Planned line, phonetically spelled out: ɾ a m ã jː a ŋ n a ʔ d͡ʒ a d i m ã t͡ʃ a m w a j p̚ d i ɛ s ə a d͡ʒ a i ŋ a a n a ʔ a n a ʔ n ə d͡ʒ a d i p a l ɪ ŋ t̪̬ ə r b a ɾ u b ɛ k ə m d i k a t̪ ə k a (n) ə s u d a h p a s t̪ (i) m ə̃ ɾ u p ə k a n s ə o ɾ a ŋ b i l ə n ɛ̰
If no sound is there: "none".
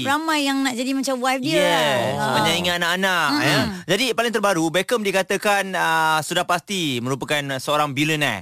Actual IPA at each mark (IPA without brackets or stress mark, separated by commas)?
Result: n, i